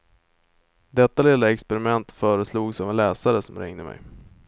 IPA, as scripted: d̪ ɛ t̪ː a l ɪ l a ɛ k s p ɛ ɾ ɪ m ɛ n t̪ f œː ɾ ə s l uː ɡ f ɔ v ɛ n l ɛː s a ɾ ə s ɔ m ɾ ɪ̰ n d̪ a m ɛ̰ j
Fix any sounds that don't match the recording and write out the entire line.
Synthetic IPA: d̪ ɛ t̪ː a l ɪ l a ɛ k s p ɛ ɾ ɪ m ɛ n t̪ f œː ɾ ə s l uː ɡ s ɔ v ɛ n l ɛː s a ɾ ə s ɔ m ɾ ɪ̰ ŋ d̪ ə m ɛ̰ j